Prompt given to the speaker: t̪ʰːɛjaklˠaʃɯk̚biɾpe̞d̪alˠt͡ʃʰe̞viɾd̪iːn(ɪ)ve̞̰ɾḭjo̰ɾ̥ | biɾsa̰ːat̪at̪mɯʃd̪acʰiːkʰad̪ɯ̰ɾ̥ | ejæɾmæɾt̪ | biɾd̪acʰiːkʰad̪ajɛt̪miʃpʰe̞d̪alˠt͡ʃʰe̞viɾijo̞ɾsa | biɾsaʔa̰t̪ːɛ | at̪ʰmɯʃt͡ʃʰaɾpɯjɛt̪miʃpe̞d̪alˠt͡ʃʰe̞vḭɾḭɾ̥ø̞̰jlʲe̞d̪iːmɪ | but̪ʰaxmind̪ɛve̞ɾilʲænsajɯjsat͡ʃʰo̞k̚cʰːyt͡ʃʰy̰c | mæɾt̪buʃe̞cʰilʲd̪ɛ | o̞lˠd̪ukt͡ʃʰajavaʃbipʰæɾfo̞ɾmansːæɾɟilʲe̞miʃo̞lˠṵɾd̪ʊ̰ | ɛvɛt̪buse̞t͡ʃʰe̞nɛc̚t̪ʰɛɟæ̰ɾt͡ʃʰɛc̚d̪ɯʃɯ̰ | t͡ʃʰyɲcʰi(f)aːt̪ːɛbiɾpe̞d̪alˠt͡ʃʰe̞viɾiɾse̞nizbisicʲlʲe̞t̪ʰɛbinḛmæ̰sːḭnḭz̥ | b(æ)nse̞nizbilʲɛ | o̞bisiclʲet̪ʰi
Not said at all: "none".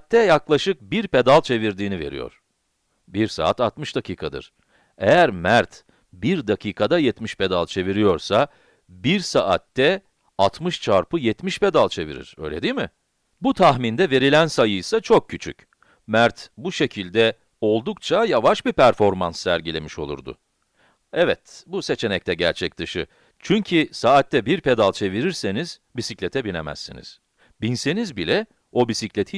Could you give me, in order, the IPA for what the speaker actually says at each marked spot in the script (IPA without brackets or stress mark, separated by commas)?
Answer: i, s, i